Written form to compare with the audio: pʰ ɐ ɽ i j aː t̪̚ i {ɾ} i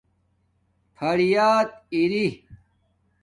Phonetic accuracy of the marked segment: correct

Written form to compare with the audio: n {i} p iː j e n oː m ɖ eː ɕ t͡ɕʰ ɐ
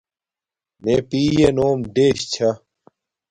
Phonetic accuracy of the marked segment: incorrect: e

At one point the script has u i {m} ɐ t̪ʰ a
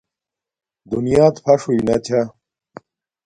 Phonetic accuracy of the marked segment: incorrect: n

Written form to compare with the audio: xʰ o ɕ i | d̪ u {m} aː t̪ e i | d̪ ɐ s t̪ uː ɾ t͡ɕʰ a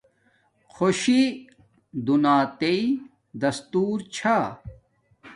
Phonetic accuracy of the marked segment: incorrect: n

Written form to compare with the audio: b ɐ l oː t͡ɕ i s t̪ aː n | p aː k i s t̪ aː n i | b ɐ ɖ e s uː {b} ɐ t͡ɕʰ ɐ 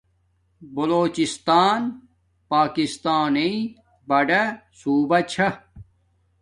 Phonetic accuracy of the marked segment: correct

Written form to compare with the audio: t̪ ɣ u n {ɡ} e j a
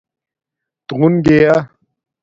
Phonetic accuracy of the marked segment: correct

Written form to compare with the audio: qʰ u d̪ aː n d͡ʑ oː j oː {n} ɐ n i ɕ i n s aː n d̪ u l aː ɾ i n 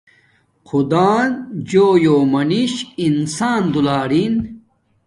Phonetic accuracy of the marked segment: incorrect: m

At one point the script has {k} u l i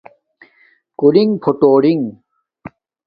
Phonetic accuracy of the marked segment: correct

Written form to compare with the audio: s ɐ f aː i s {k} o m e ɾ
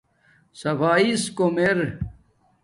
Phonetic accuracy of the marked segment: correct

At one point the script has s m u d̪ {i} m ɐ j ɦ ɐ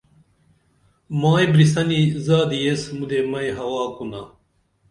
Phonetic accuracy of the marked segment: incorrect: e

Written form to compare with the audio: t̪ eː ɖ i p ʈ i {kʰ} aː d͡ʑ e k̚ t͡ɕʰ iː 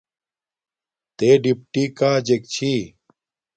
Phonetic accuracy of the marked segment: incorrect: k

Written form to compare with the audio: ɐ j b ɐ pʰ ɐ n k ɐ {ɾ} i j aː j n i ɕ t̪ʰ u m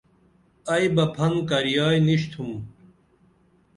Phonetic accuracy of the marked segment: correct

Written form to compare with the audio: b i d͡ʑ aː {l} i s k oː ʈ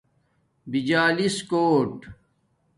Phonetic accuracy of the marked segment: correct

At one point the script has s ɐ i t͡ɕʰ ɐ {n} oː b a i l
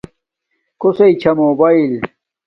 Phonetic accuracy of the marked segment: incorrect: m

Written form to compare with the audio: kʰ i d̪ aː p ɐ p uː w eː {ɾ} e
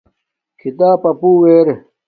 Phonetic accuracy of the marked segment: correct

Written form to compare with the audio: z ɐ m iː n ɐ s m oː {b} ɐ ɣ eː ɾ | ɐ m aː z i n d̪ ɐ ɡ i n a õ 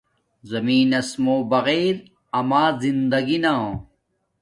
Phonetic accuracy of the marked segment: correct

